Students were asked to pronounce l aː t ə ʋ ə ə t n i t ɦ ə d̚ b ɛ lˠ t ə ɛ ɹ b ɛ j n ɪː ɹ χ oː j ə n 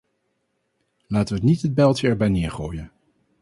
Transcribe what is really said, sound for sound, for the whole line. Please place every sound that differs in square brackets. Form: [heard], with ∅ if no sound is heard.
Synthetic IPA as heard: l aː t ə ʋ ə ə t n i t ɦ ə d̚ b ɛ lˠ t ə ɛ ɹ b ɛ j n ɪː ɹ χ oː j ə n